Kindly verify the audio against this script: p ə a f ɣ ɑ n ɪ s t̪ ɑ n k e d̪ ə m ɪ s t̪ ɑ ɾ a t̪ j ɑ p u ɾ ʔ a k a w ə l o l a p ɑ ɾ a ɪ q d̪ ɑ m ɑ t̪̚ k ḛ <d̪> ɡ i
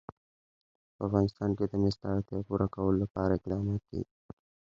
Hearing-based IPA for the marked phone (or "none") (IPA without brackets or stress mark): none